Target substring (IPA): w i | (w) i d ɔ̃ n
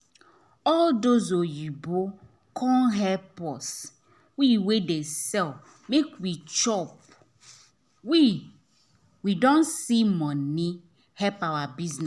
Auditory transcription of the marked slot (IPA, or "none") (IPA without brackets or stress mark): w